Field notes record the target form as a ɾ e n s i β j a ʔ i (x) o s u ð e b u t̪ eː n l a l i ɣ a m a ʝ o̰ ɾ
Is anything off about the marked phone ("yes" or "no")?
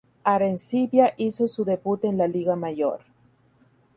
yes